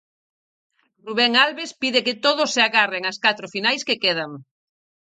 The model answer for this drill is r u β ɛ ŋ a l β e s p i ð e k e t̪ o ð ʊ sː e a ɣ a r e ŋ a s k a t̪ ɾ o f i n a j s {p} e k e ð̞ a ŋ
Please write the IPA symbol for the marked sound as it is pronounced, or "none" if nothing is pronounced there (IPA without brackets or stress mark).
k